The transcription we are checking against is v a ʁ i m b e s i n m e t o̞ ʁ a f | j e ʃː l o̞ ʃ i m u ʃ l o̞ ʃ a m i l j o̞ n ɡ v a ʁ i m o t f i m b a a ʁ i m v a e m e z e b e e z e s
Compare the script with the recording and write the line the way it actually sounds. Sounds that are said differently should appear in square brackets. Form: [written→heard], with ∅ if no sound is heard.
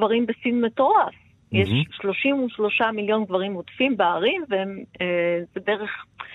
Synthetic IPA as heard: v a ʁ i m b e s i n m e t o̞ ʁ a f | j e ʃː l o̞ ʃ i m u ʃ l o̞ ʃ a m i l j o̞ n ɡ v a ʁ i m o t f i m b [a→e] a ʁ i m v [a→e] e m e z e b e e [z→ʁ] e [s→χ]